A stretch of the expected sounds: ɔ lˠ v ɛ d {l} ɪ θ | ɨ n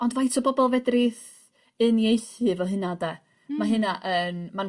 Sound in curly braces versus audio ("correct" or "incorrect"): incorrect